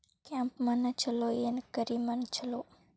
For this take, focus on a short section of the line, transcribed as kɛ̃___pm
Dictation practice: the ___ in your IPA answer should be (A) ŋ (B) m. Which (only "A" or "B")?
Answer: B